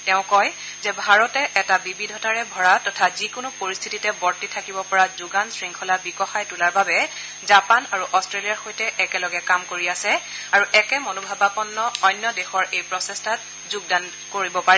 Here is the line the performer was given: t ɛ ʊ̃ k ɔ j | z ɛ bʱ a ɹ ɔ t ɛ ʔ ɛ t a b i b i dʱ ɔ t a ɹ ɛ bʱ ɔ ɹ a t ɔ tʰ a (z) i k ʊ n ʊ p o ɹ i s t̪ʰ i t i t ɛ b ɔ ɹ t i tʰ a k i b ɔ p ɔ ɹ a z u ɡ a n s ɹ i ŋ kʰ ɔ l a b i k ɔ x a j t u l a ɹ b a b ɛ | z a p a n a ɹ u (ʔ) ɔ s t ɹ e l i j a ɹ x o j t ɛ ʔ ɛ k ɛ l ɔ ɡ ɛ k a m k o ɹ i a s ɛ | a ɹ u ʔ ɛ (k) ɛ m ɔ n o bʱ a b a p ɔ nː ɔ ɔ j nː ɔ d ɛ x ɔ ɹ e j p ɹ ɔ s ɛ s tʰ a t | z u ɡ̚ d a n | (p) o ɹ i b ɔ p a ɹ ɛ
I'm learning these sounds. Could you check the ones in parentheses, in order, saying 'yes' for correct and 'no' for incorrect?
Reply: yes, yes, yes, no

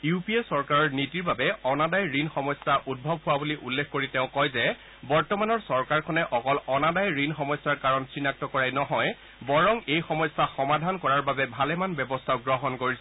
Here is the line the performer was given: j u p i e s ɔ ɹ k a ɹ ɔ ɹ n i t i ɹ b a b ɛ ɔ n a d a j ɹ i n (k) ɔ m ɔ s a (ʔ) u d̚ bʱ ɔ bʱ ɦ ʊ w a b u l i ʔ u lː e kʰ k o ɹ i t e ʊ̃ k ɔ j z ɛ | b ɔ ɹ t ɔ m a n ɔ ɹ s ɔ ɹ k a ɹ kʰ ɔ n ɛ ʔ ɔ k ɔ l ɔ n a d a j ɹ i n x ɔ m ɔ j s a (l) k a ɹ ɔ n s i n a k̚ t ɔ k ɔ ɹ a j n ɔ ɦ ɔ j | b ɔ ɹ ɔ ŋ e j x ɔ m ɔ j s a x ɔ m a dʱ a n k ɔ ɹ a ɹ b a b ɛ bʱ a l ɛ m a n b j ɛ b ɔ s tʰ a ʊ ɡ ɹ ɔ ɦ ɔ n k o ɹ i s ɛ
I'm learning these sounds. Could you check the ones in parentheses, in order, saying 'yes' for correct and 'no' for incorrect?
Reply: no, yes, no

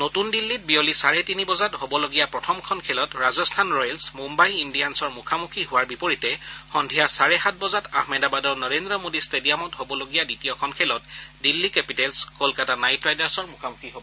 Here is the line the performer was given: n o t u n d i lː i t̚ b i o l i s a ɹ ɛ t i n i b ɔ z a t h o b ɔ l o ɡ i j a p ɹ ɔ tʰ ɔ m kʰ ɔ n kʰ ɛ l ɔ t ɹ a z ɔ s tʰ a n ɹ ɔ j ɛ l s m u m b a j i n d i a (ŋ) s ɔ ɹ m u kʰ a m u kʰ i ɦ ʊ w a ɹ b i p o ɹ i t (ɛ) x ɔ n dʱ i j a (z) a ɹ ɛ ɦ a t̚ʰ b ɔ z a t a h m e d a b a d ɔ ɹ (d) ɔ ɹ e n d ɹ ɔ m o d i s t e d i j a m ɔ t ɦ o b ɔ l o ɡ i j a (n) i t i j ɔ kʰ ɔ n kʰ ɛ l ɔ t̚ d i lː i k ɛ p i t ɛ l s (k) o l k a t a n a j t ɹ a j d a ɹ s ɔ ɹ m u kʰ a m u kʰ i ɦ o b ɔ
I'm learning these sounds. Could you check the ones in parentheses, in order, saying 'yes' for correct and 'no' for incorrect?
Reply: no, yes, no, no, no, yes

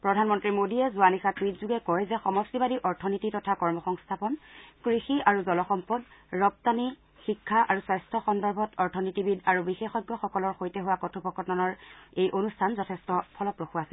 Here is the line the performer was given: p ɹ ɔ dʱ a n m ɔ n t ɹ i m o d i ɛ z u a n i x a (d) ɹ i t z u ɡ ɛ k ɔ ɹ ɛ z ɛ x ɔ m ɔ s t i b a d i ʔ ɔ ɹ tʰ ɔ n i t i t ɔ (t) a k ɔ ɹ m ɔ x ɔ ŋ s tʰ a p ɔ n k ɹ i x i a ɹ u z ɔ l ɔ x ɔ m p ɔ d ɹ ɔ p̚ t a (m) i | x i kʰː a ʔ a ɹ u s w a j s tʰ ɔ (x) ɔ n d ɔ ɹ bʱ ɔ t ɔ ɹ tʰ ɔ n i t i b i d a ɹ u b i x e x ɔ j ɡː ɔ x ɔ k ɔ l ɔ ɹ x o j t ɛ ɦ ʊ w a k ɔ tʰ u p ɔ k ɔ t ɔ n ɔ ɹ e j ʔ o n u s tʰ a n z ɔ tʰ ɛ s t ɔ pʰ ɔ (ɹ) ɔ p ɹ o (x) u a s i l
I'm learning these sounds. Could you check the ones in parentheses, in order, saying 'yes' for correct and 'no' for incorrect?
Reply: no, no, no, yes, no, yes

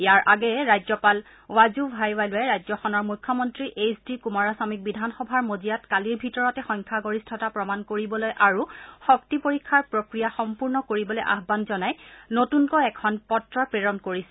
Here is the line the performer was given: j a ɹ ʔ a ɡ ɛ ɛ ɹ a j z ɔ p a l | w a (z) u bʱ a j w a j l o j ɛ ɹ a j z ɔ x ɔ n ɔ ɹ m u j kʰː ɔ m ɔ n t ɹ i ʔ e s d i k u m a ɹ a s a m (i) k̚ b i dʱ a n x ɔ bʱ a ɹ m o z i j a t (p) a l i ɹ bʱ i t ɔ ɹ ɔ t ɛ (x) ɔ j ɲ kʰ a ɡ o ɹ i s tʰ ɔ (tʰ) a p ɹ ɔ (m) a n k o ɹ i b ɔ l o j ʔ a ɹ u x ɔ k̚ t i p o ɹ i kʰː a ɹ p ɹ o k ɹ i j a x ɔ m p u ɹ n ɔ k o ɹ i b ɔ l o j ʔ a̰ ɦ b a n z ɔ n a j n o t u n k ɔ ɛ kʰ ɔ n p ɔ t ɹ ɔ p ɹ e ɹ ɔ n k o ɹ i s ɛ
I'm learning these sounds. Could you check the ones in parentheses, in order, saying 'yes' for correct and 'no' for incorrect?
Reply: yes, yes, no, yes, no, yes

